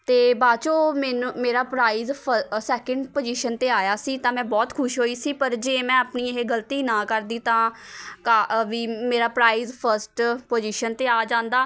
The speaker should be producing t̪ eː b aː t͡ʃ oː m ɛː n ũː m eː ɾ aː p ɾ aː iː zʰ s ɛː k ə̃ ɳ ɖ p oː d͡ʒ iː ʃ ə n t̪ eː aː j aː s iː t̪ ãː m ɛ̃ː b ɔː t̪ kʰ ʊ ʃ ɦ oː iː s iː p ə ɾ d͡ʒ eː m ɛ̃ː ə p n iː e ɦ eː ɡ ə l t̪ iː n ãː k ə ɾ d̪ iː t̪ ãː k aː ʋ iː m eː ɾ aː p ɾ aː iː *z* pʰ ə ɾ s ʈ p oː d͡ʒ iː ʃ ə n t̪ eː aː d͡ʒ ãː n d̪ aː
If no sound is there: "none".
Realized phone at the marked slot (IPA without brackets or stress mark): z